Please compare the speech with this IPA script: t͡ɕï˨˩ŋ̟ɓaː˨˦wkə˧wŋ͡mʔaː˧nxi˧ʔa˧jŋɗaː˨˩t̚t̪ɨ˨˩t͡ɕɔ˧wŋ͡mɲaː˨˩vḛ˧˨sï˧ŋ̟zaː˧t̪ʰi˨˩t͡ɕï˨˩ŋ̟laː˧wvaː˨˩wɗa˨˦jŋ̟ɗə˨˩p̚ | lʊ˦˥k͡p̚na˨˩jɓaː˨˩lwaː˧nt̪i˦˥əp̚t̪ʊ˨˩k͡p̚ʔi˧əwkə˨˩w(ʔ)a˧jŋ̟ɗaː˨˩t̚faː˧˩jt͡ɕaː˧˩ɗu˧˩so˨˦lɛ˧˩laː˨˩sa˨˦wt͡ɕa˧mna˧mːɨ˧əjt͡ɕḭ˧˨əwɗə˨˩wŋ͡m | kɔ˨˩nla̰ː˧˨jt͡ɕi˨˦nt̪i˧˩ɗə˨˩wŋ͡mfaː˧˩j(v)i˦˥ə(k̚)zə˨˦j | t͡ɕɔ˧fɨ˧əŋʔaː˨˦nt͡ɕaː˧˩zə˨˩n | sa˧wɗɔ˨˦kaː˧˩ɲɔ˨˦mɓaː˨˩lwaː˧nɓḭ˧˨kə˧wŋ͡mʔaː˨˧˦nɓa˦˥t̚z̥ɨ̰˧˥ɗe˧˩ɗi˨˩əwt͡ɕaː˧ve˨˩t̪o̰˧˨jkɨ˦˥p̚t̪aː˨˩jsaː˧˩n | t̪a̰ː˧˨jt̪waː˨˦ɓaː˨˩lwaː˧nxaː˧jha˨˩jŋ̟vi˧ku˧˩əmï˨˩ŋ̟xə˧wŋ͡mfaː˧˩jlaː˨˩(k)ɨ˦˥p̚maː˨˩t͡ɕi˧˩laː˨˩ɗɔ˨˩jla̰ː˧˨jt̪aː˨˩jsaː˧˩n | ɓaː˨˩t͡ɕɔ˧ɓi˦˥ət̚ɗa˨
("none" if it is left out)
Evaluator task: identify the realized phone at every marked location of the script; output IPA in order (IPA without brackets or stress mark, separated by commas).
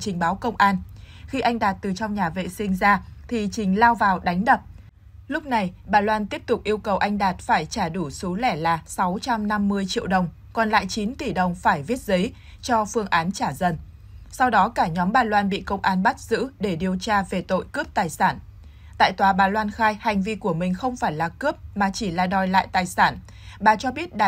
ʔ, v, t̚, k